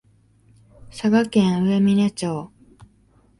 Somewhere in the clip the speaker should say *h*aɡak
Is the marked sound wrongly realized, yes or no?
yes